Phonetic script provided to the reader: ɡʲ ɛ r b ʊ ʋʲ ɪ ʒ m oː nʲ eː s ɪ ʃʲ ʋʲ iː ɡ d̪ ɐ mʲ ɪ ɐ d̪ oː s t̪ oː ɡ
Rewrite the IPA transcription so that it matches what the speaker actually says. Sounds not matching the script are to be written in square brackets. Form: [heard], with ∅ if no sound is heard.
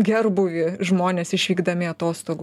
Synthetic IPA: ɡʲ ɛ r b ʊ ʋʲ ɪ ʒ m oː nʲ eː s ɪ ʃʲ ʋʲ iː ɡ d̪ ɐ mʲ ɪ ɐ [t̪] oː s t̪ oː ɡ